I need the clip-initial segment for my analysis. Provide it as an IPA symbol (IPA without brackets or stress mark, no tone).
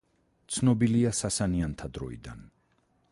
t̪